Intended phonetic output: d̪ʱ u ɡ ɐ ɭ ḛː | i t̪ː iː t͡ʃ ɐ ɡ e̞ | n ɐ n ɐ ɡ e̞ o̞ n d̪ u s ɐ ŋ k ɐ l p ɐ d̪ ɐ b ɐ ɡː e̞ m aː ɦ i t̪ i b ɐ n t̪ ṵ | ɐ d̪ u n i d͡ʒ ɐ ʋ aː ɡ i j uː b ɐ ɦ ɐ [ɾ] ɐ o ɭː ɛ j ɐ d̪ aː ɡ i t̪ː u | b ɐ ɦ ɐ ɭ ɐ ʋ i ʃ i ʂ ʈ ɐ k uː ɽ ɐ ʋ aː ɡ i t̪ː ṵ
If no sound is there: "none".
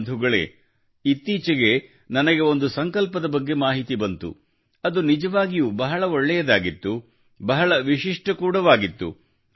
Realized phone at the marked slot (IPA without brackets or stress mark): ɭ